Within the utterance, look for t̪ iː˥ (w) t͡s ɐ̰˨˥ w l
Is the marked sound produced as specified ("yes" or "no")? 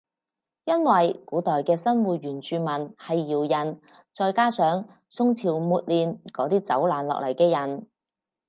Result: no